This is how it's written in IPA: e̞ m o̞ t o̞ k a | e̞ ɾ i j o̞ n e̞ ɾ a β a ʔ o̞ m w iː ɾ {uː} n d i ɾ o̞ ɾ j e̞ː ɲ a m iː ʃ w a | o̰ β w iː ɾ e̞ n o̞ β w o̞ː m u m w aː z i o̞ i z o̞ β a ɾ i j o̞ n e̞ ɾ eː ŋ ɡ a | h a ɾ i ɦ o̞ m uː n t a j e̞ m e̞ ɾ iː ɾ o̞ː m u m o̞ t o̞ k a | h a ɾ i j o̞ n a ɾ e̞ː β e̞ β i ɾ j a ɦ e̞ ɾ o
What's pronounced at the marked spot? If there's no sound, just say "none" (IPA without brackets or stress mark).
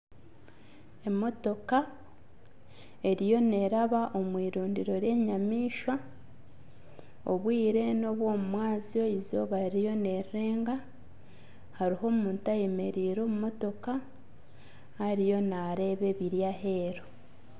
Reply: uː